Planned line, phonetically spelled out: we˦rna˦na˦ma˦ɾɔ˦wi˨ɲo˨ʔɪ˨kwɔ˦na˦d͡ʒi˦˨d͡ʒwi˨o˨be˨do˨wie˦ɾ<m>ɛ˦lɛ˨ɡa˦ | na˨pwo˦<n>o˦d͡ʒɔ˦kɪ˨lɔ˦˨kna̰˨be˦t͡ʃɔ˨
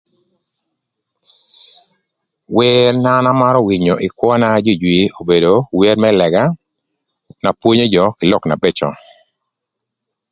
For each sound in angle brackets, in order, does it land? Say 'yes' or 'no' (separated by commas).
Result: yes, no